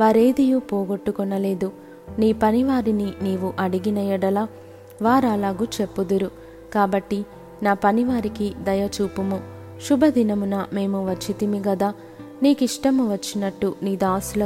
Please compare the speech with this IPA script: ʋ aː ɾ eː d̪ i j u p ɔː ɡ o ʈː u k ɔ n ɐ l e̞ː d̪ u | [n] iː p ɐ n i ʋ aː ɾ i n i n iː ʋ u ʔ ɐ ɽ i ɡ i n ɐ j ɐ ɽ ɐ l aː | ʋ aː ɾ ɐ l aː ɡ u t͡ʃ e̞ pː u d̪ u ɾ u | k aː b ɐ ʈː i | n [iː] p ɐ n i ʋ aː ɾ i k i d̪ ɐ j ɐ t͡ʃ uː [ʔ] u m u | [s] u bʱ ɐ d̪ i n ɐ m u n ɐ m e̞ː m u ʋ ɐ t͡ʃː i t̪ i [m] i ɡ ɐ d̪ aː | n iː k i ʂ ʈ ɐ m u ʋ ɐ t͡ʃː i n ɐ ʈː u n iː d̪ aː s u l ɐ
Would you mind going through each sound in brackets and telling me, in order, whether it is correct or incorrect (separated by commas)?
correct, incorrect, incorrect, incorrect, correct